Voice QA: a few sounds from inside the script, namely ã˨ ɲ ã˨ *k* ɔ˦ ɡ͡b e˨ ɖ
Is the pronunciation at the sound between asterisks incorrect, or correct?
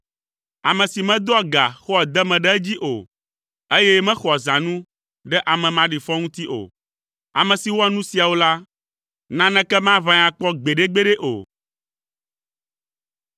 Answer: incorrect